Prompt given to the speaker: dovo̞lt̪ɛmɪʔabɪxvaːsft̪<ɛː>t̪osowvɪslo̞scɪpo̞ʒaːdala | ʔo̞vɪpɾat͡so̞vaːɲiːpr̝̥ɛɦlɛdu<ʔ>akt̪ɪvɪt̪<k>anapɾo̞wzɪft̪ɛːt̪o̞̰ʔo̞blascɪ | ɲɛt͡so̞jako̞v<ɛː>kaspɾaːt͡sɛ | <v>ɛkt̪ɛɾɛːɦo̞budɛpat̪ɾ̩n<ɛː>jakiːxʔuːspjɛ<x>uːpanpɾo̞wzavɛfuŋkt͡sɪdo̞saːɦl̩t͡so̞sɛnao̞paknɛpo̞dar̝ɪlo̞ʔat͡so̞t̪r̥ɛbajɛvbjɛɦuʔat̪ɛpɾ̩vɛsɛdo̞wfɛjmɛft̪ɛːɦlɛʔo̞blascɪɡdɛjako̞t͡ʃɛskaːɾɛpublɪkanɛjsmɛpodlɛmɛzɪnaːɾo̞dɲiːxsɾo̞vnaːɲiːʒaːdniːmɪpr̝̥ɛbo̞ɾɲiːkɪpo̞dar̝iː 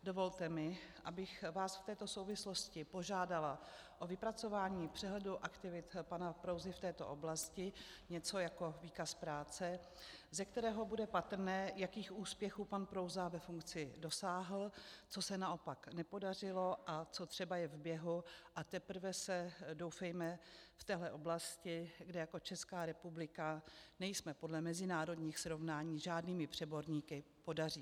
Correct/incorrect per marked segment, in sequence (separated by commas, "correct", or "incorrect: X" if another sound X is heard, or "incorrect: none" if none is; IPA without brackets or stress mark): correct, correct, incorrect: p, incorrect: iː, incorrect: z, correct, correct